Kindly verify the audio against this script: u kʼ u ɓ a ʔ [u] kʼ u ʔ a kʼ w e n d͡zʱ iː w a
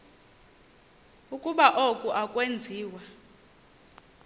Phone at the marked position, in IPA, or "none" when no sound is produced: o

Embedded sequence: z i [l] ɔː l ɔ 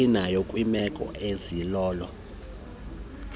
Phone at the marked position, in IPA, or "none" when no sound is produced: l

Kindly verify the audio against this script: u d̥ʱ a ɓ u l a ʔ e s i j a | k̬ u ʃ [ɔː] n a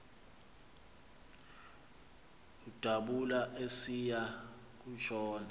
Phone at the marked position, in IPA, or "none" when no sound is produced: ɔː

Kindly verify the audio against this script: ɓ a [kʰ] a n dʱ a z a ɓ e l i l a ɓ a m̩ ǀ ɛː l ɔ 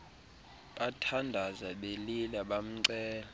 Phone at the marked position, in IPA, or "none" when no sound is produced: tʰ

